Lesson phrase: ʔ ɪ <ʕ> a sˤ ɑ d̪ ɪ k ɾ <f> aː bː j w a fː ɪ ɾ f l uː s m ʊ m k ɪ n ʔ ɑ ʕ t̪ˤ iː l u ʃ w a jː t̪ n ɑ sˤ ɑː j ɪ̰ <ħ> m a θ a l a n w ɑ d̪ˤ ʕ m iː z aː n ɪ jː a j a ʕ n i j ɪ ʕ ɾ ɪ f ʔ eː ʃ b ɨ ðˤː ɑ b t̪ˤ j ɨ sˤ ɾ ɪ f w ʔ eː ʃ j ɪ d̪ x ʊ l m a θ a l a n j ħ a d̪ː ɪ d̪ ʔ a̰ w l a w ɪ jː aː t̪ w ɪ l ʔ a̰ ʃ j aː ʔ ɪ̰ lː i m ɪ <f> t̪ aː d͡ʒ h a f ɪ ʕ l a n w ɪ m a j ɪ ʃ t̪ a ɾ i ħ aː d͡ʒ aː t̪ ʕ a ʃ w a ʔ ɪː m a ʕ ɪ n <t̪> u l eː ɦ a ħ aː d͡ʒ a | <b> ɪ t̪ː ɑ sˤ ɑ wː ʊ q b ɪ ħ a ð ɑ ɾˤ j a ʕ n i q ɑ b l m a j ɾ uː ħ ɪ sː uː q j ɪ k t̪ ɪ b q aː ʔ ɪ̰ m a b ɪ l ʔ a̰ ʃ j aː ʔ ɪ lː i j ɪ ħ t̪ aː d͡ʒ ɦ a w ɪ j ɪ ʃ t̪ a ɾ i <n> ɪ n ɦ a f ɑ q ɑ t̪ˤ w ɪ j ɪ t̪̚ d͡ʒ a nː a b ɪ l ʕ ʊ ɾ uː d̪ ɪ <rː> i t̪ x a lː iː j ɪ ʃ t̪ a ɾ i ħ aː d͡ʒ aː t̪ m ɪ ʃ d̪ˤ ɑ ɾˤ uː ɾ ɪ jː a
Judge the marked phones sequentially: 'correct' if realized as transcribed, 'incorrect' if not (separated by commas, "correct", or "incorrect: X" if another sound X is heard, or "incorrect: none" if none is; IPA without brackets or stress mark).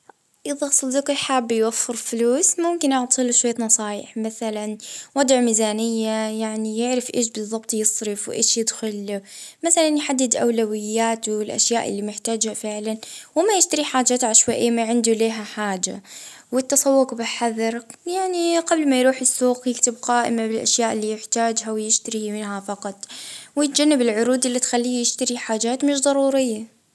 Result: incorrect: ð, incorrect: ħ, correct, incorrect: ħ, incorrect: d̪, incorrect: w, incorrect: m, incorrect: lː